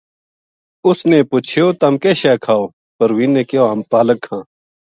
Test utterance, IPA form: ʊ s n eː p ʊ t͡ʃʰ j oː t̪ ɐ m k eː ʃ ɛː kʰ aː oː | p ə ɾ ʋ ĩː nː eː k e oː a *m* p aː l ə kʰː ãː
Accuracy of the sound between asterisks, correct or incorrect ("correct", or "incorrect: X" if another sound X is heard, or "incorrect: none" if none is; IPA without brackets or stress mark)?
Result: correct